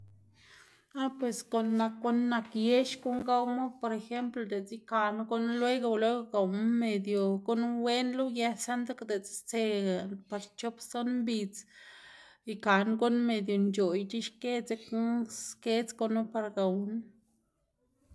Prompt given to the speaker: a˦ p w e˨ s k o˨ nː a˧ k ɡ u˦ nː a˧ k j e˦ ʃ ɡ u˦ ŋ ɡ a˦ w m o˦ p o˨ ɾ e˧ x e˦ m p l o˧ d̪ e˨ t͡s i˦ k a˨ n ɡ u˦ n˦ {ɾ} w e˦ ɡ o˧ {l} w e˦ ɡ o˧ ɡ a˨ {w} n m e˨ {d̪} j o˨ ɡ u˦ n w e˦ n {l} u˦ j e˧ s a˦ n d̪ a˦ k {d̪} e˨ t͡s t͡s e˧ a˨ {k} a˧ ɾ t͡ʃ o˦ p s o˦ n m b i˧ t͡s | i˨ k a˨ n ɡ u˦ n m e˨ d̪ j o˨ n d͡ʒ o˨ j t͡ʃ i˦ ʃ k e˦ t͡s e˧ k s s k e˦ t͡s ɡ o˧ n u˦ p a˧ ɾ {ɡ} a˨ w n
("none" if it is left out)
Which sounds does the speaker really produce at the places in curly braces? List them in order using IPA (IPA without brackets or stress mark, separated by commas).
l, l, w, d̪, l, d̪, p, ɡ